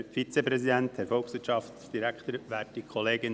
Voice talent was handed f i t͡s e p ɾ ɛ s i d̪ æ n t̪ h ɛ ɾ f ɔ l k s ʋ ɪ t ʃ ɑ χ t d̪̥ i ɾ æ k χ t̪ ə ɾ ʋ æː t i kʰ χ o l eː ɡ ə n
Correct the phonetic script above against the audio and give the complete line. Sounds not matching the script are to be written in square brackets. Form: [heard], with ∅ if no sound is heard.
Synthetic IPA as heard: f i t͡s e p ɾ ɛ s i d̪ æ n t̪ h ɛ ɾ f ɔ l k s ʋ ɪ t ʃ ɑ [f] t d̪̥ i ɾ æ k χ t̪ ə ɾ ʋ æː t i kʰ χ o l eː ɡ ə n